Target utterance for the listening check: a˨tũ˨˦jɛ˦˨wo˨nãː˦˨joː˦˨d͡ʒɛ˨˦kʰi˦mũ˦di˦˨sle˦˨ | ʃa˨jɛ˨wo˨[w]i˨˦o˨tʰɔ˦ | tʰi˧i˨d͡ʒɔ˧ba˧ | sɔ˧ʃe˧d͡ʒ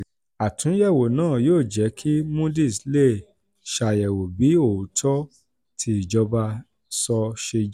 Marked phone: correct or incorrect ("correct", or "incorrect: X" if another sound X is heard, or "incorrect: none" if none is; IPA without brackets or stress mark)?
incorrect: b